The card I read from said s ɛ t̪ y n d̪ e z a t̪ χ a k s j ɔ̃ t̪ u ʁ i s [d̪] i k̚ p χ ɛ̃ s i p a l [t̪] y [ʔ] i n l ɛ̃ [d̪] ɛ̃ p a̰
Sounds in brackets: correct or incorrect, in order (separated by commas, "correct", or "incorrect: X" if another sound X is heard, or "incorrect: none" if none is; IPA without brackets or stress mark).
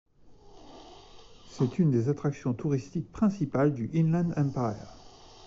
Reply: incorrect: t̪, incorrect: d̪, correct, correct